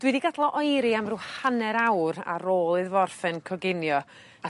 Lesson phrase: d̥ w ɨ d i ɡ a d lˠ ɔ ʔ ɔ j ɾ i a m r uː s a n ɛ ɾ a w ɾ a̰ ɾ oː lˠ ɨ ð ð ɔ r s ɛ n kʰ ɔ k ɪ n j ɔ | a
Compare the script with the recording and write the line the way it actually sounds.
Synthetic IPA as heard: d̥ w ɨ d i ɡ a d lˠ ɔ ʔ ɔ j ɾ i a m r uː h a n ɛ ɾ a w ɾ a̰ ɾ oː lˠ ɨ ð v ɔ r f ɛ n kʰ ɔ ɡ ɪ n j ɔ | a